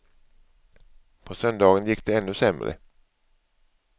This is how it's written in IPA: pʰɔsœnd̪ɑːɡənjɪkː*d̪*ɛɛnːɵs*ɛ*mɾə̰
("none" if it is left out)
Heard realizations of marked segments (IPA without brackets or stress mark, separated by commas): d̪, ɛ